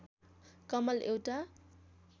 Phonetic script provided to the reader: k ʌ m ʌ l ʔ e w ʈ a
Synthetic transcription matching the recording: k ʌ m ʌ l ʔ e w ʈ a